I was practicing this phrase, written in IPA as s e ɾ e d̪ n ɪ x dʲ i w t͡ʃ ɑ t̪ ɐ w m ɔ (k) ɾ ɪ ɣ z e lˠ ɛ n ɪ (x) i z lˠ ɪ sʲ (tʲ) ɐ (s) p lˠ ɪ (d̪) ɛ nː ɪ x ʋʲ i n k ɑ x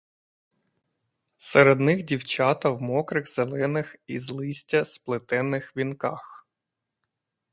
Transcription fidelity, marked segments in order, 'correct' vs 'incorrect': correct, correct, correct, correct, incorrect

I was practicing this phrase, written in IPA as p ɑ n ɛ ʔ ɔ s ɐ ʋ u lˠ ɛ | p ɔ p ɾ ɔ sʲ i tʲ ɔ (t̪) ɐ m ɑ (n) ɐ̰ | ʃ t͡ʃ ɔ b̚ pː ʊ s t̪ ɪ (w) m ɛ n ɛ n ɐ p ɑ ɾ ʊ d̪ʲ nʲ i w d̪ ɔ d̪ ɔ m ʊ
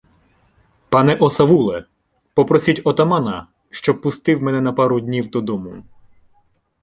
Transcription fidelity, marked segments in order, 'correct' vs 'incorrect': correct, correct, correct

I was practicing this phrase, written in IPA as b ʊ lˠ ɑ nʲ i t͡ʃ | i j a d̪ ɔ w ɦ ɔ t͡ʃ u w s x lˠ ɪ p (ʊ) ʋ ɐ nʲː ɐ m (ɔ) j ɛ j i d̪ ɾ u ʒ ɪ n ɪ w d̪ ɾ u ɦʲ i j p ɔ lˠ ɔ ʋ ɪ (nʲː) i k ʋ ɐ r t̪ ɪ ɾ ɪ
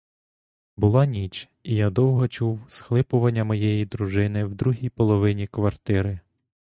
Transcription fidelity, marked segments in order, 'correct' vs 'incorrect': correct, correct, incorrect

